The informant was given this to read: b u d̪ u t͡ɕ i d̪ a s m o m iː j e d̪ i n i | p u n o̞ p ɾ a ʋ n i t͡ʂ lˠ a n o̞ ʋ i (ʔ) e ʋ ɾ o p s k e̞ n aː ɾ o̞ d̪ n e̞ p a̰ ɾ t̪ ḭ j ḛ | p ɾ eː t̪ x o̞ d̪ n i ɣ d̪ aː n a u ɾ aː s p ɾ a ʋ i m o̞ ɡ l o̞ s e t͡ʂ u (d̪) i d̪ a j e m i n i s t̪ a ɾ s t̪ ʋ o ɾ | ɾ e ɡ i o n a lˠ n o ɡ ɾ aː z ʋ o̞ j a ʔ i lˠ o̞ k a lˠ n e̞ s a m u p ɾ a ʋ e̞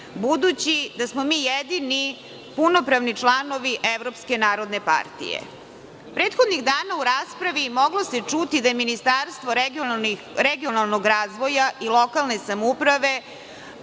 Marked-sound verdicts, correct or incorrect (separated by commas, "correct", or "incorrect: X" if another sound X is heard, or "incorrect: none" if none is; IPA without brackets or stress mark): correct, incorrect: t̪